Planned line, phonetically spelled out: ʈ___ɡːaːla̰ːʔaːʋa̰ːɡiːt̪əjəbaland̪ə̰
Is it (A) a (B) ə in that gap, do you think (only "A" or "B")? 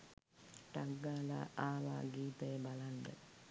A